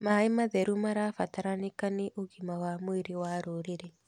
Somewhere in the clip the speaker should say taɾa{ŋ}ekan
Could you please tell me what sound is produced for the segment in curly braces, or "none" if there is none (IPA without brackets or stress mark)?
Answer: n